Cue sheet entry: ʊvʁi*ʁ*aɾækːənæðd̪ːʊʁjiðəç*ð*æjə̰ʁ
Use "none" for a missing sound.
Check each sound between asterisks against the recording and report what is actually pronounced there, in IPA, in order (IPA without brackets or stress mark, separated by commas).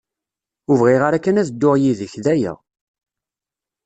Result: ʁ, ð